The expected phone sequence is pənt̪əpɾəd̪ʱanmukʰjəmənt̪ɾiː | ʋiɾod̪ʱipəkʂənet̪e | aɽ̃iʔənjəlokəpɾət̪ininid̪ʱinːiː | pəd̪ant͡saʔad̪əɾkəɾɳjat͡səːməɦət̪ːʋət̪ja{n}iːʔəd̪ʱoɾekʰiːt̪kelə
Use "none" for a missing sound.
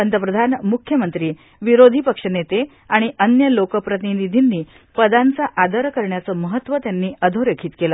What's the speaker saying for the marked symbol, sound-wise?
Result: nː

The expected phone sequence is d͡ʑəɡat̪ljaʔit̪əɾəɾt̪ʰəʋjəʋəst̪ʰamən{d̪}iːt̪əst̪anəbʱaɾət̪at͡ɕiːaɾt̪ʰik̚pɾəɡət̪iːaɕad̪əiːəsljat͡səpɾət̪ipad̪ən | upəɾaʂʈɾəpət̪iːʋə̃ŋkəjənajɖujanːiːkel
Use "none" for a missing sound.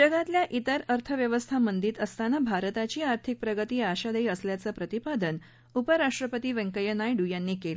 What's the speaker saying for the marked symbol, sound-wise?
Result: d̪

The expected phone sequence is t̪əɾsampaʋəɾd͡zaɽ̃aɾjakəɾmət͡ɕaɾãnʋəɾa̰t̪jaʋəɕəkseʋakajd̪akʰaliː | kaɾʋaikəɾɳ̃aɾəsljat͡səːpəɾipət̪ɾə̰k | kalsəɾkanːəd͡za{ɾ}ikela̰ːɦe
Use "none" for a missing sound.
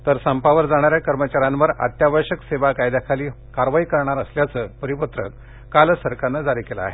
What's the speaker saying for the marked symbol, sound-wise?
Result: ɾ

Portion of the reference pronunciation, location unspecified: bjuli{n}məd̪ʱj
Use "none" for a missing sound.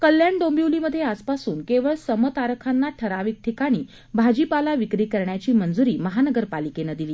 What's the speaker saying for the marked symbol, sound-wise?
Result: none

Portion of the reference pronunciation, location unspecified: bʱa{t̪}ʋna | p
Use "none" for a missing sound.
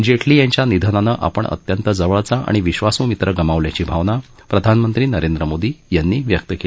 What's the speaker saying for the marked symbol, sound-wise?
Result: none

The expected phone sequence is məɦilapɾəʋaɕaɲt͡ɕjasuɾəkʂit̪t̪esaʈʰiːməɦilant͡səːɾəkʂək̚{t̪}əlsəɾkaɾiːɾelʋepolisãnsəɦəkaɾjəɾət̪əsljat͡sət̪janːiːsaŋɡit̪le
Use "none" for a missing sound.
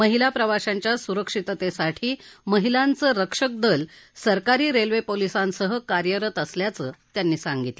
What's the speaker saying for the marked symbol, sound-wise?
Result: d̪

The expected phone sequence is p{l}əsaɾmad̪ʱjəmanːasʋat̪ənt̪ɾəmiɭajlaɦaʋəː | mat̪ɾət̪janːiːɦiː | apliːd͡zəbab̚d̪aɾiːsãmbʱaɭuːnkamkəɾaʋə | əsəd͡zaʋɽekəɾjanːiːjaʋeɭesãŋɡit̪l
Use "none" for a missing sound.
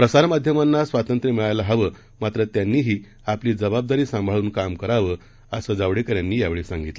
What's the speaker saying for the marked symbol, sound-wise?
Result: ɾ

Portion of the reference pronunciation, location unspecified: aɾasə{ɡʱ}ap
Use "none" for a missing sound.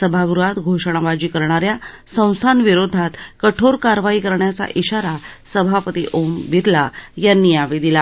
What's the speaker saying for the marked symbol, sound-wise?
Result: bʱ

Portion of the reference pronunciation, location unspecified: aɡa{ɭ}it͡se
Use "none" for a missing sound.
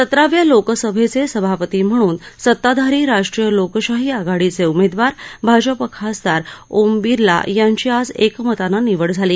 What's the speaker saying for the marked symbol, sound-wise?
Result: ɽ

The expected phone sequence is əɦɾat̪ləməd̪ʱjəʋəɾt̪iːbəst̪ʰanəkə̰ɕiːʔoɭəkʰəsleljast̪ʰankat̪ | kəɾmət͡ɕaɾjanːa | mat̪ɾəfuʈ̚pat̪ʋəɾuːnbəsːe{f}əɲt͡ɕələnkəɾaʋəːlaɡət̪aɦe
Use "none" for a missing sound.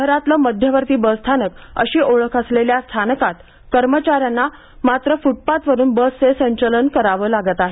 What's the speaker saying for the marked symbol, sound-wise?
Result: s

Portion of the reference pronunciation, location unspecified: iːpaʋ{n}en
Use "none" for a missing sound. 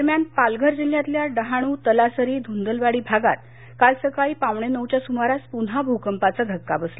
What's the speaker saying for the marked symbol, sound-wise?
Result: ɳ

